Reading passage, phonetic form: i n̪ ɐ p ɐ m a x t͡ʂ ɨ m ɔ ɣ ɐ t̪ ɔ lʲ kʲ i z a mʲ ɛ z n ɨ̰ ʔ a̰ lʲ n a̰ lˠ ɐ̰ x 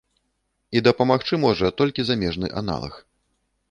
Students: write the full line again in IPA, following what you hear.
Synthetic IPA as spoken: i d̪ ɐ p ɐ m a x t͡ʂ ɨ m ɔ ʐ ɐ t̪ ɔ lʲ kʲ i z a mʲ ɛ ʐ n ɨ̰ ʔ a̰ n a̰ lˠ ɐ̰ x